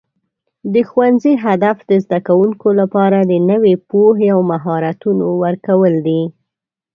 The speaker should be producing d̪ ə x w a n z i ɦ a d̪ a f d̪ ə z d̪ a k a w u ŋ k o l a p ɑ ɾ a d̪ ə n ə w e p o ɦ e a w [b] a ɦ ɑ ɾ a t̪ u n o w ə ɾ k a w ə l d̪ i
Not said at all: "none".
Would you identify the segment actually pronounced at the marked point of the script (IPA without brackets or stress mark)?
m